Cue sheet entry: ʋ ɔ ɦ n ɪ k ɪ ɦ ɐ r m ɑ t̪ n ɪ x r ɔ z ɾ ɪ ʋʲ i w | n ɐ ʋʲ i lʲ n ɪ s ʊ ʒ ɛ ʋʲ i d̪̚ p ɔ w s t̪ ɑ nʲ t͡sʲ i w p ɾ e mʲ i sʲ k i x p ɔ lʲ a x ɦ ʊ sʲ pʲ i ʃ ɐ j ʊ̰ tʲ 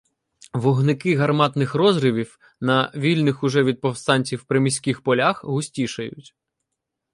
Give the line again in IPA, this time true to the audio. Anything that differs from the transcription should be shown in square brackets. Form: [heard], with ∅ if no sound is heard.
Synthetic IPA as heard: ʋ ɔ ɦ n ɪ k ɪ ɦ ɐ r m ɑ t̪ n ɪ x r ɔ z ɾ ɪ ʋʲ i w | n ɐ ʋʲ i lʲ n ɪ [x] ʊ ʒ ɛ ʋʲ i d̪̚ p ɔ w s t̪ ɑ nʲ t͡sʲ i w p ɾ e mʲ i sʲ k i x p ɔ lʲ a x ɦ ʊ sʲ [tʲ] i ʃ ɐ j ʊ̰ tʲ

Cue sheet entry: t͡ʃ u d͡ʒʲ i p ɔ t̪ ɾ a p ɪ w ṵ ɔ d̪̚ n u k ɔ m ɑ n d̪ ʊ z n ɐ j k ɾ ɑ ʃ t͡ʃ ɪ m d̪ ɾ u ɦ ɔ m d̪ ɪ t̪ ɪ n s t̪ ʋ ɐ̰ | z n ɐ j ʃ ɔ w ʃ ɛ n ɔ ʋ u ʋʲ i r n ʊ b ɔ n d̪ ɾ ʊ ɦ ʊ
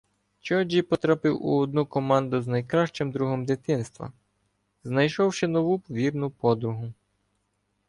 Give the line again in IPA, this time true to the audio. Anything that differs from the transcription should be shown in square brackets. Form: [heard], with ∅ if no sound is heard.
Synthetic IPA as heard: t͡ʃ [ɔ] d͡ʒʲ i p ɔ t̪ ɾ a p ɪ w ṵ ɔ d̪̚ n u k ɔ m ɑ n d̪ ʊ z n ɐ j k ɾ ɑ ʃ t͡ʃ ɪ m d̪ ɾ u ɦ ɔ m d̪ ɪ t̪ ɪ n s t̪ ʋ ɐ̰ | z n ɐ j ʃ ɔ w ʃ ɛ n ɔ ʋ u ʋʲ i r n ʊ [p] ɔ [∅] d̪ ɾ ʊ ɦ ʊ

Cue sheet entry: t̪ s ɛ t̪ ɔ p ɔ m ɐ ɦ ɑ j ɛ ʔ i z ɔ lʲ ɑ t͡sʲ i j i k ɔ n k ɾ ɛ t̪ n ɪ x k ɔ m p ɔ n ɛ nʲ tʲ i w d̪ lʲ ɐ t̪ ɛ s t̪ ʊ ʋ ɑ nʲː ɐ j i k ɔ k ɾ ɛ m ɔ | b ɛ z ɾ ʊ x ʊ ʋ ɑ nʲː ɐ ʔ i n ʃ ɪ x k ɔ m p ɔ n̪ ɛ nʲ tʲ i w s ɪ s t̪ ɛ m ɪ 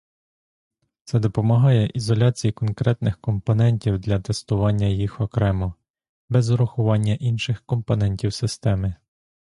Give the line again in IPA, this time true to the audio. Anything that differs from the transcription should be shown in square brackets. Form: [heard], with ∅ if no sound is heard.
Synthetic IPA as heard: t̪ s ɛ [d̪] ɔ p ɔ m ɐ ɦ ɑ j ɛ ʔ i z ɔ lʲ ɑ t͡sʲ i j i k ɔ n k ɾ ɛ t̪ n ɪ x k ɔ m p ɔ n ɛ nʲ tʲ i w d̪ lʲ ɐ t̪ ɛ s t̪ ʊ ʋ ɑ nʲː ɐ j i [x] ɔ k ɾ ɛ m ɔ | b ɛ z ɾ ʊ x ʊ ʋ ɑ nʲː ɐ ʔ i n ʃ ɪ x k ɔ m p ɔ n̪ ɛ nʲ tʲ i w s ɪ s t̪ ɛ m ɪ

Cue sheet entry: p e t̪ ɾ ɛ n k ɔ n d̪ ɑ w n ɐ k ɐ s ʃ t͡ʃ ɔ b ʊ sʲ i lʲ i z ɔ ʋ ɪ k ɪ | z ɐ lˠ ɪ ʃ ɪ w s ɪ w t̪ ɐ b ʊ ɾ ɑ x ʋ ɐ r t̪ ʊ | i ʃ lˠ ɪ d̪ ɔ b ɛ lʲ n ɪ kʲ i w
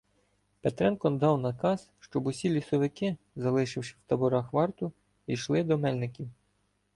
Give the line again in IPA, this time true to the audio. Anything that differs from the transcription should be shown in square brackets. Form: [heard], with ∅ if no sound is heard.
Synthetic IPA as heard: p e t̪ ɾ ɛ n k ɔ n d̪ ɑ w n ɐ k [ɑ] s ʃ t͡ʃ ɔ b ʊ sʲ i lʲ i [s] ɔ ʋ ɪ k ɪ | z ɐ lˠ ɪ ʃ ɪ w [ʃ] ɪ w t̪ ɐ b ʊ ɾ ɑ x ʋ [ɑ] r t̪ ʊ | i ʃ lˠ ɪ d̪ ɔ [m] ɛ lʲ n ɪ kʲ i w

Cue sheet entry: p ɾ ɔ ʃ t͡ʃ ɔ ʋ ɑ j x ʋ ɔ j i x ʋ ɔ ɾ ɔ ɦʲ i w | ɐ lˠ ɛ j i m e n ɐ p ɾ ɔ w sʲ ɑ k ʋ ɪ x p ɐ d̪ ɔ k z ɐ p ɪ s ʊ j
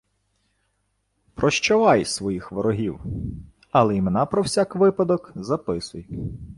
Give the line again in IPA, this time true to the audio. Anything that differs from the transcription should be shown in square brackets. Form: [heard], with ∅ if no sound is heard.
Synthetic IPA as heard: p ɾ ɔ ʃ t͡ʃ ɔ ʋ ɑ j [s] ʋ ɔ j i x ʋ ɔ ɾ ɔ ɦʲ i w | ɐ lˠ ɛ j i m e n [ɑ] p ɾ ɔ w sʲ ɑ k ʋ ɪ [∅] p ɐ d̪ ɔ k z ɐ p ɪ s ʊ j

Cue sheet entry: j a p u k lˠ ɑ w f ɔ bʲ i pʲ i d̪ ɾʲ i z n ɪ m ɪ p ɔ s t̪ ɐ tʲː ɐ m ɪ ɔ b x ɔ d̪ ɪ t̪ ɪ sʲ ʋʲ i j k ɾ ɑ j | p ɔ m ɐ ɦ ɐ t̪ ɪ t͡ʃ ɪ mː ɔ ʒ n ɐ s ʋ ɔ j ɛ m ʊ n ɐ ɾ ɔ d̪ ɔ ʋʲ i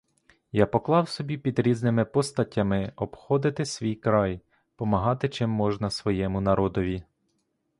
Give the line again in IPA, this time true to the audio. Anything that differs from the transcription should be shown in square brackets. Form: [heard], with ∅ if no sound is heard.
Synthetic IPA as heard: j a p [ɔ] k lˠ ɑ w [s] ɔ bʲ i pʲ i d̪ ɾʲ i z n ɪ m ɪ p ɔ s t̪ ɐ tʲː ɐ m ɪ ɔ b x ɔ d̪ ɪ t̪ ɪ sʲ ʋʲ i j k ɾ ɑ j | p ɔ m ɐ ɦ [ɑ] t̪ ɪ t͡ʃ ɪ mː ɔ ʒ n ɐ s ʋ ɔ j ɛ m ʊ n ɐ ɾ ɔ d̪ ɔ ʋʲ i

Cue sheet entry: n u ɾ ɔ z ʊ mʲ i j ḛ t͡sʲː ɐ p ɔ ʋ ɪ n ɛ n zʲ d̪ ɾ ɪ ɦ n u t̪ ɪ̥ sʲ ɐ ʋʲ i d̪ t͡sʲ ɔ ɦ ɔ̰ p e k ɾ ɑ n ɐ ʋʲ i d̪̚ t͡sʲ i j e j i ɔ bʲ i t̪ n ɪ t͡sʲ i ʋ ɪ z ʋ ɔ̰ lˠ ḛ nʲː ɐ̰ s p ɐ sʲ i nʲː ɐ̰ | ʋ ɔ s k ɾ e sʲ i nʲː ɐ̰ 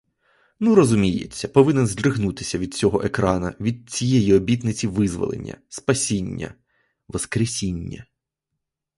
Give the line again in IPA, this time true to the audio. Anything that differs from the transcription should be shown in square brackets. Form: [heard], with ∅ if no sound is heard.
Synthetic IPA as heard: n u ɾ ɔ z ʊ mʲ i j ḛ t͡sʲː ɐ p ɔ ʋ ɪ n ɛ n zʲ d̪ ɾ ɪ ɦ n u t̪ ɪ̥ sʲ ɐ ʋʲ i d̪ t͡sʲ ɔ ɦ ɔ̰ [ʔ] e k ɾ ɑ n ɐ ʋʲ i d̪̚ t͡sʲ i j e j i ɔ bʲ i t̪ n ɪ t͡sʲ i ʋ ɪ z ʋ ɔ̰ lˠ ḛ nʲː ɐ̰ s p ɐ sʲ i nʲː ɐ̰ | ʋ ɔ s k ɾ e sʲ i nʲː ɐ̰

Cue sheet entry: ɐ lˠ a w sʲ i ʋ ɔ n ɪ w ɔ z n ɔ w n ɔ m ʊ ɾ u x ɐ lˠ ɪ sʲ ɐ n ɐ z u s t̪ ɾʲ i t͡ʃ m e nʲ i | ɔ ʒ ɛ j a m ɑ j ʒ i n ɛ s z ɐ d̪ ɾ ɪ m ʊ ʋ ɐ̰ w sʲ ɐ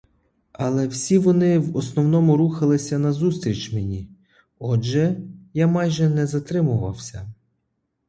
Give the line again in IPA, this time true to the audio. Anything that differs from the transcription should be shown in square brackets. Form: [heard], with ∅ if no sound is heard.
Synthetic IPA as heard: ɐ lˠ [ɛ] w sʲ i ʋ ɔ n ɪ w ɔ [s] n ɔ w n ɔ m ʊ ɾ u x ɐ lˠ ɪ sʲ ɐ n ɐ z u s t̪ ɾʲ i t͡ʃ m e nʲ i | ɔ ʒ ɛ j a m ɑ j ʒ [ɛ] n ɛ [∅] z ɐ [t̪] ɾ ɪ m ʊ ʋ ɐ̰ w sʲ ɐ

